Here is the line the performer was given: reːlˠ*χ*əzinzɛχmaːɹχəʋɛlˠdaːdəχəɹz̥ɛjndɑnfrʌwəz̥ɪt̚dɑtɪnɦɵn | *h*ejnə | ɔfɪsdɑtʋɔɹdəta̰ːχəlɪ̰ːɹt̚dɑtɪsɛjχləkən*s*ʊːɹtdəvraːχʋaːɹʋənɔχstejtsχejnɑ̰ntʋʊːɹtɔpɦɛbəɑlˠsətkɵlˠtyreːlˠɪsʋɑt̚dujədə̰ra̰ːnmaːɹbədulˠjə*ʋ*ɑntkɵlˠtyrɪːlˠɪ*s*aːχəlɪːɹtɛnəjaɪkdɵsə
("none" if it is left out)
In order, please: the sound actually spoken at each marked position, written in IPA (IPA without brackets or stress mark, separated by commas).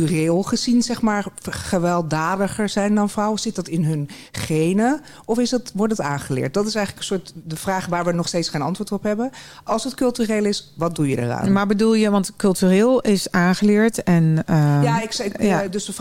χ, χ, s, ʋ, s